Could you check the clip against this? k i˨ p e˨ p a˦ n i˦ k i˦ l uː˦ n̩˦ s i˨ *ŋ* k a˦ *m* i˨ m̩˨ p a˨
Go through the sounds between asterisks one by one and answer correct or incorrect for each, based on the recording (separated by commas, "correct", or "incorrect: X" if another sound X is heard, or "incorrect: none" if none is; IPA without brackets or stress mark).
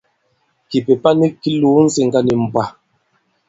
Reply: correct, incorrect: n